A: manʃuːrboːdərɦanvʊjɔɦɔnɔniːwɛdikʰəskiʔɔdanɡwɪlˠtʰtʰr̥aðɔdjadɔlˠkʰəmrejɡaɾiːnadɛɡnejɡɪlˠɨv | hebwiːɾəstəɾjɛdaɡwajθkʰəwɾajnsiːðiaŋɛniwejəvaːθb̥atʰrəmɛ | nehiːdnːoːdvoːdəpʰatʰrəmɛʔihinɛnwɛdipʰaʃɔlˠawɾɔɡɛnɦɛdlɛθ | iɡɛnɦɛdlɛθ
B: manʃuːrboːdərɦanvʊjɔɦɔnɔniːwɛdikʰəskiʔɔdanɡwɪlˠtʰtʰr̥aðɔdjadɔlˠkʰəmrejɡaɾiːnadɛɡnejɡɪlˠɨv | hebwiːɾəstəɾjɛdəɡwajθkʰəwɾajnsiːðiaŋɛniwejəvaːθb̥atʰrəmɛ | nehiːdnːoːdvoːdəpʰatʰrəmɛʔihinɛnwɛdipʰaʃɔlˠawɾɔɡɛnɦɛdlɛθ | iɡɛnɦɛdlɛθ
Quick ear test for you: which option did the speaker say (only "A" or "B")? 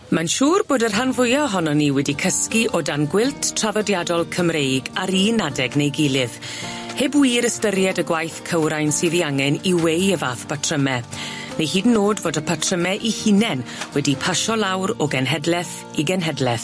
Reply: B